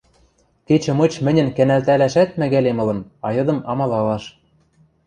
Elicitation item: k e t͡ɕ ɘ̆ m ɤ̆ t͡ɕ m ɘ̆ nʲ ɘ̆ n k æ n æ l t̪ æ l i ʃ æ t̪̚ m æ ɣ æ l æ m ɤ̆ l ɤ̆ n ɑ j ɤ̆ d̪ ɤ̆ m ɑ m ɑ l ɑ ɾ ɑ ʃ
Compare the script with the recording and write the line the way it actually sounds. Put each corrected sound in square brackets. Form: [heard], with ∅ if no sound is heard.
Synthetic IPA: k e t͡ɕ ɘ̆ m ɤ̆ t͡ɕ m ɘ̆ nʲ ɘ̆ n k æ n æ l t̪ æ l [æ] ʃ æ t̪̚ m æ ɣ æ l [e] m ɤ̆ l ɤ̆ n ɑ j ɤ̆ d̪ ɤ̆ m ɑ m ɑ l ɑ [l] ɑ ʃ